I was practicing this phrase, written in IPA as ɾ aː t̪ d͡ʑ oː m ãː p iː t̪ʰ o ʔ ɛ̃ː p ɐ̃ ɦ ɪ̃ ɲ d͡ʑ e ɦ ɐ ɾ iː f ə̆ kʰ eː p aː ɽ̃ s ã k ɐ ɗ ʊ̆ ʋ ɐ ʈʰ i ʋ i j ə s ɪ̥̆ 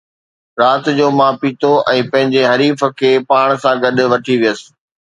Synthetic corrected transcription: ɾ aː t̪ d͡ʑ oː m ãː p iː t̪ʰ o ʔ ɛ̃ː p ɐ̃ ɦ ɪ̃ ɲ d͡ʑ e ɦ ɐ ɾ iː f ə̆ kʰ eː p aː ɽ̃ s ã ɡ ɐ ɗ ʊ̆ ʋ ɐ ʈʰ i ʋ i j ə s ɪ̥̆